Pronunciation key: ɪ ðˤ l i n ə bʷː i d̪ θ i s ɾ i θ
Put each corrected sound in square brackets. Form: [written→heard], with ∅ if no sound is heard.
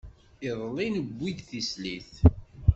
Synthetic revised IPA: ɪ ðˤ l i n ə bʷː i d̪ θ i s [ɾ→l] i θ